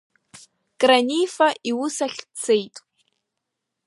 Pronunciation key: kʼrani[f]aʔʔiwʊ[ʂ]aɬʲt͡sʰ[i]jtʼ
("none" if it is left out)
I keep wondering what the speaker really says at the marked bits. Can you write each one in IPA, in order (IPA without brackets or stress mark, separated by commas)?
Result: f, s, e